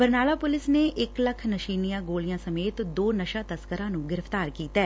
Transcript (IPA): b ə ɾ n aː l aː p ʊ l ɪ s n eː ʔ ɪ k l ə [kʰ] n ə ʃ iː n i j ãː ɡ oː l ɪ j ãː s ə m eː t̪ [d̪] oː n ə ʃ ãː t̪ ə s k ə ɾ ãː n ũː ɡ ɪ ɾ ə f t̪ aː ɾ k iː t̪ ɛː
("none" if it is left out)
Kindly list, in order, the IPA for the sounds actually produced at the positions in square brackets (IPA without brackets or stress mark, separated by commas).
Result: kʰ, d̪